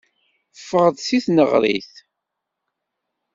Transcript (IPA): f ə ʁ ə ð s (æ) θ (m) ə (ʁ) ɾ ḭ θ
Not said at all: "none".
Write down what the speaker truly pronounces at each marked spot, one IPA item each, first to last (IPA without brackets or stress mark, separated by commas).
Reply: i, n, ʁ